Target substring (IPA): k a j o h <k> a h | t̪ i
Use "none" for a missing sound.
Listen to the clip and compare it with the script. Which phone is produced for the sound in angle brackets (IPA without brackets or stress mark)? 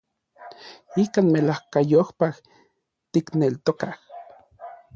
p